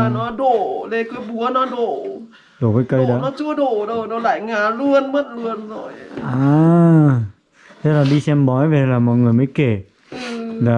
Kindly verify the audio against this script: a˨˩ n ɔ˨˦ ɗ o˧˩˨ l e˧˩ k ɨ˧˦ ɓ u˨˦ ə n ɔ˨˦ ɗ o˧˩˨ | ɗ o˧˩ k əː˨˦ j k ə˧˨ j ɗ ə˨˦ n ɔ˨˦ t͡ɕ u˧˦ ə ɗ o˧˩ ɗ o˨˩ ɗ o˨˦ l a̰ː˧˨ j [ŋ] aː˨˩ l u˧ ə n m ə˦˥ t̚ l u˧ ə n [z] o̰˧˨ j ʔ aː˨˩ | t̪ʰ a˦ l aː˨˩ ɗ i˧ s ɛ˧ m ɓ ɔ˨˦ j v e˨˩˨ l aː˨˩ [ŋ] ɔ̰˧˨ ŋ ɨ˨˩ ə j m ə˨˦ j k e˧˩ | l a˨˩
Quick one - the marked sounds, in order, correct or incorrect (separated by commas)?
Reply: correct, correct, incorrect